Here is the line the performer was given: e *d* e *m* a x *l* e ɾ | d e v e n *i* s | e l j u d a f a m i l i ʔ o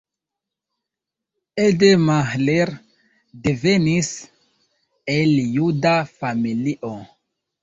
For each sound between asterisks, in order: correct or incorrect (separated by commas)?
correct, correct, correct, correct